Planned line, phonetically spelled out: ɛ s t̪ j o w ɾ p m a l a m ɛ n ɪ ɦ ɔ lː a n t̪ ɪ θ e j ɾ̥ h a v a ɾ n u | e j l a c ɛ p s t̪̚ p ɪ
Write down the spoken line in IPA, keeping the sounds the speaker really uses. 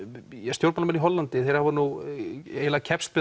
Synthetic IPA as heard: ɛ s t̪ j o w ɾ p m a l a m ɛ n i ɦ ɔ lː a n t̪ ɪ θ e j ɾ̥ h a v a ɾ n u | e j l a cʰ ɛ p s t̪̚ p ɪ